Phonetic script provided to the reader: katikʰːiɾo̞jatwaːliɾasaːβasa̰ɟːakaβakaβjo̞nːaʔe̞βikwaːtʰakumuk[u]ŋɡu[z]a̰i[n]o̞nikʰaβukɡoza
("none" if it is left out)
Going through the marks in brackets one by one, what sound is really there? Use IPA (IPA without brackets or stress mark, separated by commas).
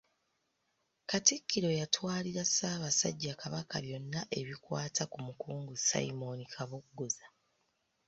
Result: uː, s, m